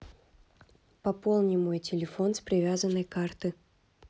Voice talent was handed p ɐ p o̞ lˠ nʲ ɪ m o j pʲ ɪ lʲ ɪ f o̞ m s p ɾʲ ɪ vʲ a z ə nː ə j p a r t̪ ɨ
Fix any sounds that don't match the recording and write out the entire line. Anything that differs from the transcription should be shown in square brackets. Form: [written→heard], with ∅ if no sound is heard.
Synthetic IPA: p ɐ p o̞ lˠ nʲ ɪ m o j [pʲ→tʲ] ɪ lʲ ɪ f o̞ [m→n] s p ɾʲ ɪ vʲ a z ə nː ə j [p→k] a r t̪ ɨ